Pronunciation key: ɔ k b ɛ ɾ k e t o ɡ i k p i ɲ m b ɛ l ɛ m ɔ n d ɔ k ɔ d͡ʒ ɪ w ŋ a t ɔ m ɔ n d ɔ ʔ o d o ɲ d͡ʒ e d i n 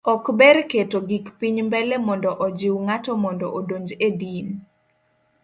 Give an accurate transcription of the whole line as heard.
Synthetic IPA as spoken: ɔ k b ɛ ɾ k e t o ɡ i k p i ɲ m b ɛ l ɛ m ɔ n d ɔ ʔ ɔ d͡ʒ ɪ w ŋ a t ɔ m ɔ n d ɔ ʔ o d o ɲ d͡ʒ e d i n